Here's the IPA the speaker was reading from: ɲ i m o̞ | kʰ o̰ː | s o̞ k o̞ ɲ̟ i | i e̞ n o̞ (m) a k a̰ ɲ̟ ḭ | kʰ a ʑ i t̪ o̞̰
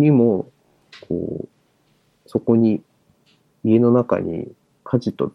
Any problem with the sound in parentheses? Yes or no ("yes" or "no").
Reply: yes